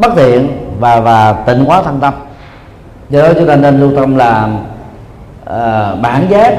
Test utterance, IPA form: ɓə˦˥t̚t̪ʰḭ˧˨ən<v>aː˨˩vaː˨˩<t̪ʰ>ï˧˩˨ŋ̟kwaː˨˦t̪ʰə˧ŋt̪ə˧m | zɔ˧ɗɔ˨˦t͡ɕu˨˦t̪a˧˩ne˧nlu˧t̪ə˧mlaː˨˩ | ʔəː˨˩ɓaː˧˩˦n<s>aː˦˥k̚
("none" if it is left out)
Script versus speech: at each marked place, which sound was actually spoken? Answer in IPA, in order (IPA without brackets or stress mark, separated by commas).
v, t̪, z